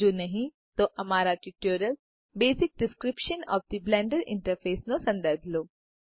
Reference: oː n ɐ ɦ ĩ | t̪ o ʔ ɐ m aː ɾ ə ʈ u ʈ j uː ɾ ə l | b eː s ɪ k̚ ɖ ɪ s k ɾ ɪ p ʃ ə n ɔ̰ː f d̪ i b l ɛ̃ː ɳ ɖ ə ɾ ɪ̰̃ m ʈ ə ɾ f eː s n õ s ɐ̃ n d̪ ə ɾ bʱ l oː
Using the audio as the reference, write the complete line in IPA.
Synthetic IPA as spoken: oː n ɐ ɦ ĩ | t̪ o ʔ ɐ m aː ɾ a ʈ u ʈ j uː ɾ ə l | b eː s ɪ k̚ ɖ ɪ s k ɾ ɪ p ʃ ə n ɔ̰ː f d̪ i b l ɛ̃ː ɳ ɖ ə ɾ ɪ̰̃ ɳ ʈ ə ɾ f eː s n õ s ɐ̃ n d̪ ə ɾ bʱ l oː